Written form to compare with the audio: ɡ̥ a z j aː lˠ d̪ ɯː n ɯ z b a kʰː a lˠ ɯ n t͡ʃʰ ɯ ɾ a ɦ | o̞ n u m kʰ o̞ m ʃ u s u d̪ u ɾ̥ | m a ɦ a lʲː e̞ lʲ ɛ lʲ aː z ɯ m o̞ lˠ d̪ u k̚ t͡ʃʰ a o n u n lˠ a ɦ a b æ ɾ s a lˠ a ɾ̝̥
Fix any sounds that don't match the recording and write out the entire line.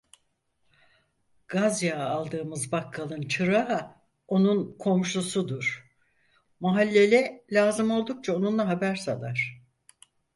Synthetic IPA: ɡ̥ a z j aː lˠ d̪ ɯː m ɯ z b a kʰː a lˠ ɯ n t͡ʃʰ ɯ ɾ a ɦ | o̞ n u n kʰ o̞ m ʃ u s u d̪ u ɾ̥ | m a ɦ a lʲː e̞ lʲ ɛ lʲ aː z ɯ m o̞ lˠ d̪ u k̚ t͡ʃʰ a o n u n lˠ a ɦ a b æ ɾ s a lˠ a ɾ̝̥